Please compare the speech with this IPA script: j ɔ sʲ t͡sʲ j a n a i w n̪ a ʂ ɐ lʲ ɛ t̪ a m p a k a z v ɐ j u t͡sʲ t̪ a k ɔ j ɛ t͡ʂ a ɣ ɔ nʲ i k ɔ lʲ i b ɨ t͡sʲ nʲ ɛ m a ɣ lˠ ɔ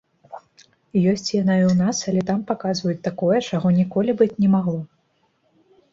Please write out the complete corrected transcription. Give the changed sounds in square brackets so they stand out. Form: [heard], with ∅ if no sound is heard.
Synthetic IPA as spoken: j ɔ sʲ t͡sʲ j a n a i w n̪ a [s] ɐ lʲ ɛ t̪ a m p a k a z v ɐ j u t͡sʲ t̪ a k ɔ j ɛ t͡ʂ a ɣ ɔ nʲ i k ɔ lʲ i b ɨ t͡sʲ nʲ ɛ m a ɣ lˠ ɔ